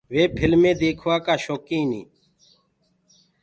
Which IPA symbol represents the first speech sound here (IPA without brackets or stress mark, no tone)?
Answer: ʋ